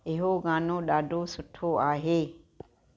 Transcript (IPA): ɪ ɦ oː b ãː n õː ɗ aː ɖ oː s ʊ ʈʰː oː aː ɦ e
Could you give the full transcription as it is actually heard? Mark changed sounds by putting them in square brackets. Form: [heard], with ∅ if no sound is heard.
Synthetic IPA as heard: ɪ ɦ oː [ɡ] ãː n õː ɗ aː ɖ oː s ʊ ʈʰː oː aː ɦ e

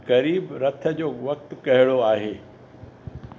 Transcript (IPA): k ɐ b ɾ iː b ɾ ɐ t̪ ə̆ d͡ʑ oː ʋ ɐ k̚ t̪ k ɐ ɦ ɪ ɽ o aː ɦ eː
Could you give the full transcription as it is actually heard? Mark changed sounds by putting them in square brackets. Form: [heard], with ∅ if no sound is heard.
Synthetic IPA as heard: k ɐ [∅] ɾ iː b ɾ ɐ [t̪ʰ] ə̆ d͡ʑ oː ʋ ɐ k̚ t̪ k ɐ ɦ ɪ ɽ o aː ɦ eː

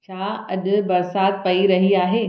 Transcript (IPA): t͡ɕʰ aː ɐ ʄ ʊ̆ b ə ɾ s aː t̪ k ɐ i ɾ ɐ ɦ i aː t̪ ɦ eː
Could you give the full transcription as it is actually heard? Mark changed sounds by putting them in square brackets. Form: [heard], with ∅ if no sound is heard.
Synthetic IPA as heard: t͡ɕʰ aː ɐ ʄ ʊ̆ b [ɐ] ɾ s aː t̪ [p] ɐ i ɾ ɐ ɦ i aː [∅] ɦ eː

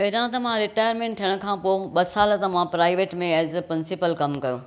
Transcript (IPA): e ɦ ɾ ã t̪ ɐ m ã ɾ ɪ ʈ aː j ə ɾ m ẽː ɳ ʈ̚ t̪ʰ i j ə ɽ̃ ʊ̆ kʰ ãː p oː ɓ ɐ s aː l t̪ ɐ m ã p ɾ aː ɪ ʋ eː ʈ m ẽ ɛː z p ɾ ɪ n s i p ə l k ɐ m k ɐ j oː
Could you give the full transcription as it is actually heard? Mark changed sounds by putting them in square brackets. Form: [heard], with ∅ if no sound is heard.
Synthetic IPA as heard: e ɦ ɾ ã t̪ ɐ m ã ɾ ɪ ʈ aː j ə ɾ m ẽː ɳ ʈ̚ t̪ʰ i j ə ɽ̃ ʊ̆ kʰ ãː p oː ɓ ɐ s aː l t̪ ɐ m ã p ɾ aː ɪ ʋ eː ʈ m ẽ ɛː z p ɾ ɪ n s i p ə l k ɐ m k ɐ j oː

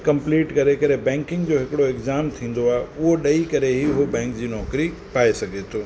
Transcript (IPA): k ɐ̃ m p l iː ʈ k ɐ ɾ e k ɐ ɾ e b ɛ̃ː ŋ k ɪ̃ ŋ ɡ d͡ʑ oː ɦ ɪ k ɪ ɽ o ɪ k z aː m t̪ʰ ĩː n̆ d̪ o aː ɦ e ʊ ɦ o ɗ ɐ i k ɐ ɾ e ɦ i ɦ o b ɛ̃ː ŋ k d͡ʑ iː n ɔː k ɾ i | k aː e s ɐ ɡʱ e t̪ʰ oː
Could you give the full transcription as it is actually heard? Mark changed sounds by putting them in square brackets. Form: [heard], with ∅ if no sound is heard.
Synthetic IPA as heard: k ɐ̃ m p l iː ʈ k ɐ ɾ e k ɐ ɾ e b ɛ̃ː ŋ k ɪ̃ ŋ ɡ d͡ʑ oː ɦ ɪ k ɪ ɽ o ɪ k z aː m t̪ʰ ĩː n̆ d̪ o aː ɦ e ʊ ɦ o ɗ ɐ i k ɐ ɾ e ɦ i ɦ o b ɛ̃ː ŋ k d͡ʑ iː n ɔː k ɾ i | [p] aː e s ɐ ɡʱ e t̪ʰ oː

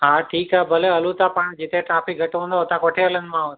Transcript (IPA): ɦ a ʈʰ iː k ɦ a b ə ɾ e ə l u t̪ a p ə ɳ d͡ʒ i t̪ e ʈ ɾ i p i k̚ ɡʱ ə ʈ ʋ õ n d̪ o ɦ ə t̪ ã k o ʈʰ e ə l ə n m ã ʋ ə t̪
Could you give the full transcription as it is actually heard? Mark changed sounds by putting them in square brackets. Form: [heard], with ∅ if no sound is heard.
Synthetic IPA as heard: ɦ a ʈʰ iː k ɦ a b ə [l] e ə l u t̪ a p ə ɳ d͡ʒ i t̪ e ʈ ɾ [a] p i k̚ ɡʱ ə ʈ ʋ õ n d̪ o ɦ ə t̪ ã k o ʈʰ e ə l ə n m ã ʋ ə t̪

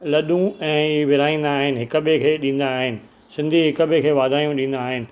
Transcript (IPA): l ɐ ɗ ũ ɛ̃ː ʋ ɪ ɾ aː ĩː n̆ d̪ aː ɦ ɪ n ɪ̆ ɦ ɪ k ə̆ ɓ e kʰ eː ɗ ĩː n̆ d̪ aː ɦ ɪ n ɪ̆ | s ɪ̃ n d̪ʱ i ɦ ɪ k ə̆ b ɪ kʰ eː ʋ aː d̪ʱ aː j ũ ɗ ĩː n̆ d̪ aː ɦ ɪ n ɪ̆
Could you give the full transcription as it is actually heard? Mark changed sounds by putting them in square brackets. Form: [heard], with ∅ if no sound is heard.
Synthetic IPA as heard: l ɐ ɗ ũ ɛ̃ː ʋ ɪ ɾ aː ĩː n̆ d̪ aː ɦ ɪ n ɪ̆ ɦ ɪ k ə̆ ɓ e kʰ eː ɗ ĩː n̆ d̪ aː ɦ ɪ n ɪ̆ | s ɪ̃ n d̪ʱ i ɦ ɪ k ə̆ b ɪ kʰ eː ʋ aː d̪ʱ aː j ũ ɗ ĩː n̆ d̪ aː ɦ ɪ n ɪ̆

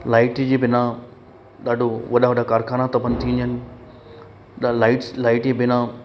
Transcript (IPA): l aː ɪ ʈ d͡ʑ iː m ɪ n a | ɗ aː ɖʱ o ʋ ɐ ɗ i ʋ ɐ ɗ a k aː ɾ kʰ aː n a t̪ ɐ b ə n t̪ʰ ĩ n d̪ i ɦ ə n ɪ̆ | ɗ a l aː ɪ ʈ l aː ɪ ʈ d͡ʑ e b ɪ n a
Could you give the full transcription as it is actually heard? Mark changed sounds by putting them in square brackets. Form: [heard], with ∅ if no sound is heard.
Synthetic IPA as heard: l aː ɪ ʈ d͡ʑ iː [b] ɪ n a | ɗ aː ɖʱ o ʋ ɐ ɗ [a] ʋ ɐ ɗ a k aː ɾ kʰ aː n a t̪ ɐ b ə n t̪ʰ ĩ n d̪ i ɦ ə n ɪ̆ | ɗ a l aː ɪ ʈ l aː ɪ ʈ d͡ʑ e b ɪ n a

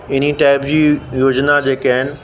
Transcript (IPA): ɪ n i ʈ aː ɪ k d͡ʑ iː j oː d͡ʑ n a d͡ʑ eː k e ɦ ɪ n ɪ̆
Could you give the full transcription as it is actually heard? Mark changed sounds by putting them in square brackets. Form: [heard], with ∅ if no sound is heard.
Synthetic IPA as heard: ɪ n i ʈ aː ɪ [p] d͡ʑ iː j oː d͡ʑ n a d͡ʑ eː k [a] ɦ ɪ n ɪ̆

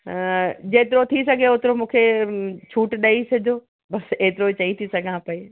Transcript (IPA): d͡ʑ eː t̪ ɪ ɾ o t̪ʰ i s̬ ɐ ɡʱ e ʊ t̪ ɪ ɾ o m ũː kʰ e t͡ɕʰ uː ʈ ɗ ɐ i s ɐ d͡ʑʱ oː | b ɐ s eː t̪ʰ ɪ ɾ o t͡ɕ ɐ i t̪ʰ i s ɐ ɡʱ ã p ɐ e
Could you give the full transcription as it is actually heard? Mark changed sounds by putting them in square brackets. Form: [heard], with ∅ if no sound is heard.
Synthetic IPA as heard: d͡ʑ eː t̪ ɪ ɾ o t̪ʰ i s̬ ɐ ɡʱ e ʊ t̪ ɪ ɾ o m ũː kʰ e t͡ɕʰ uː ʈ ɗ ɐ i s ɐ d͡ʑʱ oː | b ɐ s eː [t̪] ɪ ɾ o t͡ɕ ɐ i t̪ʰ i s ɐ ɡʱ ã p ɐ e

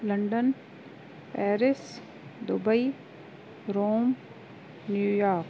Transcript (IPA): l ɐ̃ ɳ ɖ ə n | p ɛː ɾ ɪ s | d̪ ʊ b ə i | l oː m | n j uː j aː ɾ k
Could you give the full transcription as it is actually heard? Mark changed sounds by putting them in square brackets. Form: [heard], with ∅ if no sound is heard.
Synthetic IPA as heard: l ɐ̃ ɳ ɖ ə n | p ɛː ɾ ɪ s | d̪ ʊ b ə i | [ɾ] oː m | n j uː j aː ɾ k

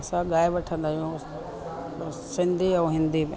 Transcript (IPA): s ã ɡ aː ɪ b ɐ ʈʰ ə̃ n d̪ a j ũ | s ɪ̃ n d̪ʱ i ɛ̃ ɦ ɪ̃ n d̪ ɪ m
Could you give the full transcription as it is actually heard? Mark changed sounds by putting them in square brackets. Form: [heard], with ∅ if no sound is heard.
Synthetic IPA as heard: s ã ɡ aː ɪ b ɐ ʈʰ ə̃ n d̪ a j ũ | s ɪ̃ n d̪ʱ i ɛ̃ ɦ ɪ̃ n d̪ [i] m

